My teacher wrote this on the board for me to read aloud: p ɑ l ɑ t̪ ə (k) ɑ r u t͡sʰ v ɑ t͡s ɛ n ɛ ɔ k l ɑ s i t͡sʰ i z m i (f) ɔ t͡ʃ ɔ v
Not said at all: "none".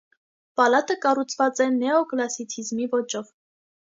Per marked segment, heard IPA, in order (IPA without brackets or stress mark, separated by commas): k, v